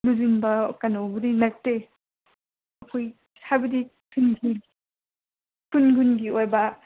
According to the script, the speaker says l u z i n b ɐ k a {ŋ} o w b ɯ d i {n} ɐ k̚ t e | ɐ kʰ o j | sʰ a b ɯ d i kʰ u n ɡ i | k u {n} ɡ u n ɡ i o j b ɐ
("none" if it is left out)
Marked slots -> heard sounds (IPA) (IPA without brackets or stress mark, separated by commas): n, n, n